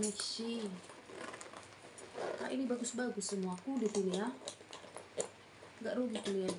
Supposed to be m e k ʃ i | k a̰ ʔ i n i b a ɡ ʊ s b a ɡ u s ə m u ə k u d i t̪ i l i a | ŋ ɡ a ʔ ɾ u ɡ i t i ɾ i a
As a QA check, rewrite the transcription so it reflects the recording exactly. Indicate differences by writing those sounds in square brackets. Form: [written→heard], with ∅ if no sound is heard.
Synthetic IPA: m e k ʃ i | k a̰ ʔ i n i b a ɡ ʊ s b a ɡ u s ə m u [ə→a] k u d i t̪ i l i a | ŋ ɡ a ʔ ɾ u ɡ i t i [ɾ→l] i a

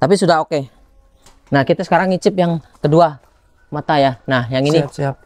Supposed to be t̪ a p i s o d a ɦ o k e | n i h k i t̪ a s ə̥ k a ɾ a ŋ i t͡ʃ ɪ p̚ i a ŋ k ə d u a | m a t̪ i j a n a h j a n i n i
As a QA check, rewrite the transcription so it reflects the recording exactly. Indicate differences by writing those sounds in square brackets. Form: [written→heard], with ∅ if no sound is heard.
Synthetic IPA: t̪ a p i s [o→u] d a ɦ o k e | n [i→a] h k i t̪ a s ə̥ k a ɾ a ŋ i t͡ʃ ɪ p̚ [i→j] a ŋ k ə d u a | m a t̪ [i→a] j a n a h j a [n→ŋ] i n i

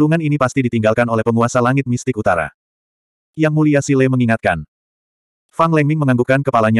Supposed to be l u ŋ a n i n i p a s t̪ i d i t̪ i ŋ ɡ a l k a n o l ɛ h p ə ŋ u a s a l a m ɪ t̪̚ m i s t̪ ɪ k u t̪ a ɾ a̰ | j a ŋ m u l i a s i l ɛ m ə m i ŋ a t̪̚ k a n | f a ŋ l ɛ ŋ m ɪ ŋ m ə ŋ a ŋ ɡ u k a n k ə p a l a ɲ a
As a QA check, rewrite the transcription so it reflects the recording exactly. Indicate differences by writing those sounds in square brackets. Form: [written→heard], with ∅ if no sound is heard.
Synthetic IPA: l u ŋ a n i n i p a s t̪ i d i t̪ i ŋ ɡ a l k a n o l ɛ h p ə ŋ u a s a l a [m→ŋ] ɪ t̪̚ m i s t̪ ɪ k u t̪ a ɾ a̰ | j a ŋ m u l i a s i l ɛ m ə [m→ŋ] i ŋ a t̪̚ k a n | f a ŋ l ɛ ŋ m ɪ ŋ m ə ŋ a ŋ ɡ u k a n k ə p a l a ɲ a

